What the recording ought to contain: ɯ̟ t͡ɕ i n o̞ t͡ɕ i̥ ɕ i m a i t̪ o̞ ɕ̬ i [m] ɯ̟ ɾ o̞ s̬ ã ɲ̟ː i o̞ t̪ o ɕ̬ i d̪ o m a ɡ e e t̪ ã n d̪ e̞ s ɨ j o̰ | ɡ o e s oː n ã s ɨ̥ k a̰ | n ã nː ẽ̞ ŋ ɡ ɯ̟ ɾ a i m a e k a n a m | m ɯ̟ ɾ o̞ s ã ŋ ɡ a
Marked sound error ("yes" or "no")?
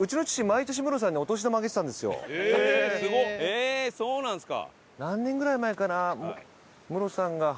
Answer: no